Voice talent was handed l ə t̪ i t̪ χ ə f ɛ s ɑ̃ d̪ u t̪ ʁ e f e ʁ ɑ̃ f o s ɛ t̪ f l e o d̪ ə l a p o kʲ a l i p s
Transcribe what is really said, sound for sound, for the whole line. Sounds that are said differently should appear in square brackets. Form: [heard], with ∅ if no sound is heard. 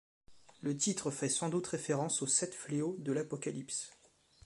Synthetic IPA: l ə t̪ i t̪ χ ə f ɛ s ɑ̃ d̪ u t̪ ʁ e f e ʁ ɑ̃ [s] o s ɛ t̪ f l e o d̪ ə l a p [ɔ] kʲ a l i p s